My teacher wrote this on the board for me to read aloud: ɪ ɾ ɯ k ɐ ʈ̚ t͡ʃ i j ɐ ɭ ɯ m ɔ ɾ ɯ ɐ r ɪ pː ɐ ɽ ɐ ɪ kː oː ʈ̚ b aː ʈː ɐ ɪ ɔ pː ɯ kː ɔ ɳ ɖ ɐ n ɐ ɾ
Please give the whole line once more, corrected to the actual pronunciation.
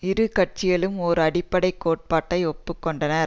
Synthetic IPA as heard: ɪ ɾ ɯ k ɐ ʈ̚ t͡ʃ ɪ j ɐ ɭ ɯ m ɔ ɾ ɯ ɐ ɽ ɪ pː ɐ ɽ ɐ ɪ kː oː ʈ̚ p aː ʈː ɐ ɪ ɔ pː ɯ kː ɔ ɳ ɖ ɐ n ɐ ɾ